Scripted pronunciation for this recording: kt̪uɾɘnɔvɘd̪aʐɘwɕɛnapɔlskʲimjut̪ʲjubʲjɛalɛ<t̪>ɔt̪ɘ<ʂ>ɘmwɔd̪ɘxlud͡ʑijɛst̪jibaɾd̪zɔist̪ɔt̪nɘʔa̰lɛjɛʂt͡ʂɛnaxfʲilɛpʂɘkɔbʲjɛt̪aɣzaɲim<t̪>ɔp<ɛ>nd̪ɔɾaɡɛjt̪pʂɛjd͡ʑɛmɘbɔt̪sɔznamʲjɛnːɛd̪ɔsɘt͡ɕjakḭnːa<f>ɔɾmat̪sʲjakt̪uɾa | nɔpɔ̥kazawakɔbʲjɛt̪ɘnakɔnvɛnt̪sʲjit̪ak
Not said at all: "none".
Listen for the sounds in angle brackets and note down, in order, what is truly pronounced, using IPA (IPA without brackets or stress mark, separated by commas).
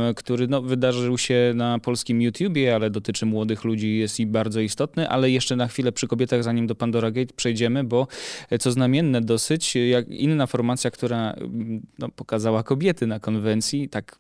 d̪, t͡ʂ, d̪, a, f